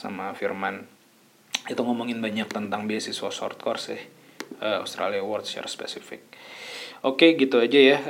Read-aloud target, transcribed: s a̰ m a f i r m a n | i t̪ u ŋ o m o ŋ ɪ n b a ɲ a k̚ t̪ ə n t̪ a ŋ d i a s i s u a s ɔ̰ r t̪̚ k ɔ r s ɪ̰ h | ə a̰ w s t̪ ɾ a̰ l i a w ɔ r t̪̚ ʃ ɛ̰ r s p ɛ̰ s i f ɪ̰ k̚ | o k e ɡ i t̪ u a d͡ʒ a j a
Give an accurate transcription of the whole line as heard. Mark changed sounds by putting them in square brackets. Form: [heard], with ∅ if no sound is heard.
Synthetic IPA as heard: s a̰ m a f i r m a n | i t̪ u ŋ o m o ŋ ɪ n b a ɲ a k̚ t̪ ə n t̪ a ŋ [b] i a s i s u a s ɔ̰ r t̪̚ k ɔ r s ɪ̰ h | ə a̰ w s t̪ ɾ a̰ l i a w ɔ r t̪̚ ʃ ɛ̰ r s p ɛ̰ s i f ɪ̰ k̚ | o k e ɡ i t̪ u a d͡ʒ a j a